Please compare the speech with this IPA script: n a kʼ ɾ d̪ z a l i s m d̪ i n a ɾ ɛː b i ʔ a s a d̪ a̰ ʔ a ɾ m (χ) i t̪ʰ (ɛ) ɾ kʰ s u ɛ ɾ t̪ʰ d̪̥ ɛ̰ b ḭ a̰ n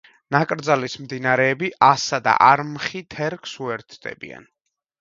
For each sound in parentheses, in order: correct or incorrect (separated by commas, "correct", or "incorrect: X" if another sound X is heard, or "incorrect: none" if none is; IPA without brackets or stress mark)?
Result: correct, correct